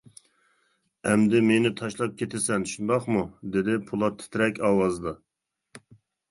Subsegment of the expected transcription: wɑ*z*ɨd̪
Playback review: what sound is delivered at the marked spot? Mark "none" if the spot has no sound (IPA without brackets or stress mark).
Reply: z